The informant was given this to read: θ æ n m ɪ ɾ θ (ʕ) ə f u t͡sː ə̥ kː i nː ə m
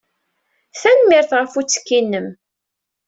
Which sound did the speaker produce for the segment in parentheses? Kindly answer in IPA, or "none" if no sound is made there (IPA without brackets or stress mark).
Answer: ʁ